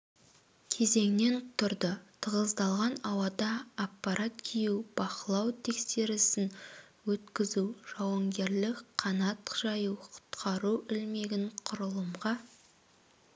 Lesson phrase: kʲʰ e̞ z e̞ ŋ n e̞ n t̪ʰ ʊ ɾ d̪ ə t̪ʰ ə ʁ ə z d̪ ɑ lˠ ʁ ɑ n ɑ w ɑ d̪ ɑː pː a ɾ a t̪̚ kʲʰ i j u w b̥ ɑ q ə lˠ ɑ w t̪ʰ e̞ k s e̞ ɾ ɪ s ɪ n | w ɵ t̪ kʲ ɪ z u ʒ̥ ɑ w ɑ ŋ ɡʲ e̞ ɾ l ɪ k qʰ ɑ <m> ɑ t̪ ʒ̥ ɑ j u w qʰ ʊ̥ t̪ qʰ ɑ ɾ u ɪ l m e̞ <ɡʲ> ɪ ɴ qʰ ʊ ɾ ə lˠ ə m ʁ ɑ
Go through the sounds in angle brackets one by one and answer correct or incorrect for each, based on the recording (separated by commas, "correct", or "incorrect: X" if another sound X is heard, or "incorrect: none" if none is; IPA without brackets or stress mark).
incorrect: n, correct